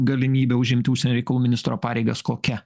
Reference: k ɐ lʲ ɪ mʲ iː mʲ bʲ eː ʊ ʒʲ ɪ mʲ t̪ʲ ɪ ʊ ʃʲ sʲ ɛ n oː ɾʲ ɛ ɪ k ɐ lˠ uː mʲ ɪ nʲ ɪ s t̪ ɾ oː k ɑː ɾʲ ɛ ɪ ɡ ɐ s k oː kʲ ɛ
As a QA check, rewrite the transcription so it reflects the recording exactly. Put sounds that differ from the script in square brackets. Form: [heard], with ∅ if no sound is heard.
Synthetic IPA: [ɡ] ɐ lʲ ɪ mʲ iː [∅] bʲ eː ʊ ʒʲ ɪ mʲ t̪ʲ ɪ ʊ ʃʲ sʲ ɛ n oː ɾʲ ɛ ɪ k ɐ lˠ uː mʲ ɪ nʲ ɪ s t̪ ɾ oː [p] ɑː ɾʲ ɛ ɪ ɡ ɐ s k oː kʲ ɛ

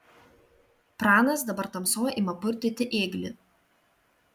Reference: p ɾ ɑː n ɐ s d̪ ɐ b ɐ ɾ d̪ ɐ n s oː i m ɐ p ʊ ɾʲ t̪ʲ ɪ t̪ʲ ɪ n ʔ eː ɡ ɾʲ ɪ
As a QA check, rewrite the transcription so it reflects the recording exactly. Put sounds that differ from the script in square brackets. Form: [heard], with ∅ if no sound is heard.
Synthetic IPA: p ɾ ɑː n ɐ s d̪ ɐ b ɐ ɾ [t̪] ɐ [m] s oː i m ɐ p ʊ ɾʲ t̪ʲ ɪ t̪ʲ ɪ [∅] ʔ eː ɡ [lʲ] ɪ

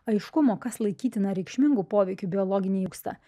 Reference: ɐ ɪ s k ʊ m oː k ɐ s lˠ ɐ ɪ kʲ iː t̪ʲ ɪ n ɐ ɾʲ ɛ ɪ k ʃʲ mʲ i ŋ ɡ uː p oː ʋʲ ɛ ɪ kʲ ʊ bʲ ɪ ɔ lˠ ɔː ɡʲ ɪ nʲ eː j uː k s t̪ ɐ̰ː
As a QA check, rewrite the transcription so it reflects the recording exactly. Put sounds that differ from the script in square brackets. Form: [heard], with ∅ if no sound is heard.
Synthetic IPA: ɐ ɪ [ʃ] k ʊ m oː k ɐ s lˠ ɐ ɪ kʲ iː t̪ʲ ɪ n ɐ ɾʲ ɛ ɪ k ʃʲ mʲ [ɪ] ŋ ɡ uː p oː ʋʲ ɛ ɪ kʲ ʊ bʲ ɪ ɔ lˠ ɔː ɡʲ ɪ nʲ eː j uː k s t̪ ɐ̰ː

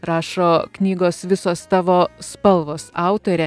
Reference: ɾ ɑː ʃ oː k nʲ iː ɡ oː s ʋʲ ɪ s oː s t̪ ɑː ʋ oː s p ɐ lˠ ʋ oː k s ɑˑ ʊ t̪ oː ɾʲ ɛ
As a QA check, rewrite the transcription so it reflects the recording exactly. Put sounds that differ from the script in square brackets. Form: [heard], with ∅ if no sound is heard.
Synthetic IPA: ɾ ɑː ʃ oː k nʲ iː ɡ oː s ʋʲ ɪ s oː s t̪ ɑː ʋ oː s p ɐ lˠ ʋ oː [∅] s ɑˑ ʊ t̪ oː ɾʲ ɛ

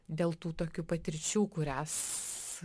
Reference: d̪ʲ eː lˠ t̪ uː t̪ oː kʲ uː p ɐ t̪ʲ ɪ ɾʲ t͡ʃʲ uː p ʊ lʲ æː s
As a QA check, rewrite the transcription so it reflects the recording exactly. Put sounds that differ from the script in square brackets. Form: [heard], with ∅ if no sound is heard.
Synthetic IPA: d̪ʲ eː lˠ t̪ uː t̪ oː kʲ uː p ɐ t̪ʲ ɪ ɾʲ t͡ʃʲ uː [k] ʊ [ɾʲ] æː s

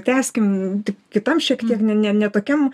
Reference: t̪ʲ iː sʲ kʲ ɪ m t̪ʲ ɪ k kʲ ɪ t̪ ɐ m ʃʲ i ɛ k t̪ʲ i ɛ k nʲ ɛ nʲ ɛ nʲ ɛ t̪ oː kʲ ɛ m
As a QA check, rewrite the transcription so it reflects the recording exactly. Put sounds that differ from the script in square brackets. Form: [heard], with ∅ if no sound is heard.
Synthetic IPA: t̪ʲ [æː] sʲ kʲ ɪ m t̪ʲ ɪ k kʲ ɪ t̪ ɐ m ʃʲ i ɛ k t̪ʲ i ɛ k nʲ ɛ nʲ ɛ nʲ ɛ t̪ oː kʲ ɛ m

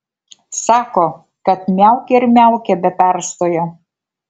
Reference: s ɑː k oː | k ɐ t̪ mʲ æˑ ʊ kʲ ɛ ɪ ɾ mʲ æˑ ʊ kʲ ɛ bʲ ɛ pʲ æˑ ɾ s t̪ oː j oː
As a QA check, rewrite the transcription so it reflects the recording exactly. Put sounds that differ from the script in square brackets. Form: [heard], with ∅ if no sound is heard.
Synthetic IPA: s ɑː k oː | k ɐ t̪ mʲ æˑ ʊ kʲ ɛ ɪ ɾ mʲ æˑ ʊ kʲ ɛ bʲ ɛ pʲ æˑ ɾ s t̪ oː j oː

